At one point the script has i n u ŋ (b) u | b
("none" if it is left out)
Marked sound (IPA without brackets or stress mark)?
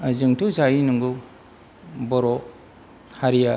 ɡ